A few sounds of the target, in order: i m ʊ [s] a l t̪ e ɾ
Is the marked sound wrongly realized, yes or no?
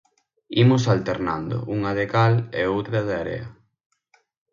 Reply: no